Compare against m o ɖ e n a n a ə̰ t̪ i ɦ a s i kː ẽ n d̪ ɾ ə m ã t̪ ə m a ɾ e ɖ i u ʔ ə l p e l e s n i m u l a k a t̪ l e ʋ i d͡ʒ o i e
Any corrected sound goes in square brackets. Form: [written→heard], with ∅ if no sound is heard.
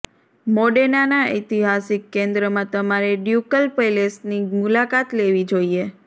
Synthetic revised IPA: m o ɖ e n a n a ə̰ t̪ i ɦ a s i kː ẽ n d̪ ɾ ə m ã t̪ ə m a ɾ e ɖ [i→j] u [ʔ→k] ə l p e l e s n i m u l a k a t̪ l e ʋ i d͡ʒ o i e